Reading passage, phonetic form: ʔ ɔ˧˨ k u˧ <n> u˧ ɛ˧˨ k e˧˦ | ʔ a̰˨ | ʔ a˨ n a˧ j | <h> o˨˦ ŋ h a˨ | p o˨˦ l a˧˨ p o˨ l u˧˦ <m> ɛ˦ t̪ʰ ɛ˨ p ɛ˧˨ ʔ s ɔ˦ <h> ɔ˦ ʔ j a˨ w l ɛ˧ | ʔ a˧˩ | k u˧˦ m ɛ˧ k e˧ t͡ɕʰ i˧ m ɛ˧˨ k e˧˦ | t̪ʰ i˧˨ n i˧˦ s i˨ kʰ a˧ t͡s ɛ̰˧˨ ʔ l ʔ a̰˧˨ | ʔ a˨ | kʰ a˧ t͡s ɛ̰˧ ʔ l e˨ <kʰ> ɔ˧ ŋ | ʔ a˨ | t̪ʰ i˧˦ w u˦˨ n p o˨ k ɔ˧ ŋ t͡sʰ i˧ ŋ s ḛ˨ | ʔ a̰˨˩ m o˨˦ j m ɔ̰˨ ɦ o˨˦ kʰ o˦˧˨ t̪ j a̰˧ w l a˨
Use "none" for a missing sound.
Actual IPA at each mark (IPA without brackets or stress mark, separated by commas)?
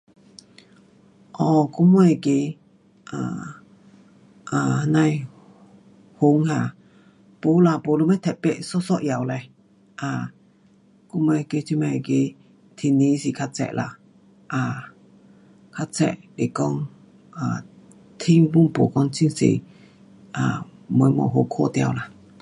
m, h, m, s, k